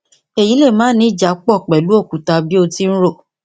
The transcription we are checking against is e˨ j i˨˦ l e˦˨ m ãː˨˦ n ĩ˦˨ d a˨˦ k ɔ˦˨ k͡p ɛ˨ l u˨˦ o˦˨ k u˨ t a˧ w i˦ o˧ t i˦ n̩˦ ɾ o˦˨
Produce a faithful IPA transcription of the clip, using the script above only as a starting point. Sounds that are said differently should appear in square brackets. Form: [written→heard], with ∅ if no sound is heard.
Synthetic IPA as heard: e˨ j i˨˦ l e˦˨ m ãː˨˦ n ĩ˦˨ [d→d͡ʒ] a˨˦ [k→k͡p] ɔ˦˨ k͡p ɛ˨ l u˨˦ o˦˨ k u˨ t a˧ [w→b] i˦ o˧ t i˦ n̩˦ ɾ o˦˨